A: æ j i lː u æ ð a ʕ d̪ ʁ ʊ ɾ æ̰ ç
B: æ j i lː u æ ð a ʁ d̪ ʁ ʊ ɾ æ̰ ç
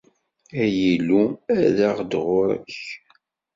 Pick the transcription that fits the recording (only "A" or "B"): B